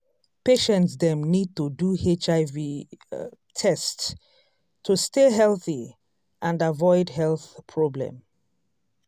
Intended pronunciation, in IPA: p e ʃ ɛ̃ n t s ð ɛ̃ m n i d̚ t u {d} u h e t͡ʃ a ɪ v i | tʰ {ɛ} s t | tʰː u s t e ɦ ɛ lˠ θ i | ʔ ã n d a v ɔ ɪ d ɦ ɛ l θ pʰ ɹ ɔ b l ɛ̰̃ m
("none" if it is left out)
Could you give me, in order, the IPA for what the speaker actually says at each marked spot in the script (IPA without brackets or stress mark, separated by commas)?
d, ɛ